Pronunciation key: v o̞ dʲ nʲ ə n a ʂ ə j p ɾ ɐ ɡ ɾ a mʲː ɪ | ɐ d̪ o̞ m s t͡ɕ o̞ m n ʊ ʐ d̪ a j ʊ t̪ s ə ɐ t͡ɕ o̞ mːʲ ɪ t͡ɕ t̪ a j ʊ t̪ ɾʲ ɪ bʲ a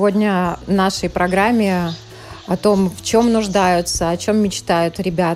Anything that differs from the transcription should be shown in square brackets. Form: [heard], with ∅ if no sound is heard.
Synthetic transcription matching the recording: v o̞ dʲ nʲ ə n a ʂ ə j p ɾ ɐ ɡ ɾ a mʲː ɪ | ɐ [t̪] o̞ m [f] t͡ɕ o̞ m n ʊ ʐ d̪ a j ʊ t̪ s ə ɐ t͡ɕ o̞ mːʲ ɪ t͡ɕ t̪ a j ʊ t̪ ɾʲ ɪ bʲ a